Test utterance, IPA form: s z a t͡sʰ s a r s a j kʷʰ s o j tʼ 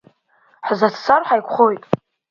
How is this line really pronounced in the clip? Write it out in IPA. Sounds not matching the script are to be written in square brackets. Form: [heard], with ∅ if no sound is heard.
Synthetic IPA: [ħ] z a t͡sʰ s a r [ħ] a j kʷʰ [χ] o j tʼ